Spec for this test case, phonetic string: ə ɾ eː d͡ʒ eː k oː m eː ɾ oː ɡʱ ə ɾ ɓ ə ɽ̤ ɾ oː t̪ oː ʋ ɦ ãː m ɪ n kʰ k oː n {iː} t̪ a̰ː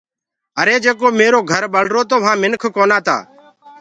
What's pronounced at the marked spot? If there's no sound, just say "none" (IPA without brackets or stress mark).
aː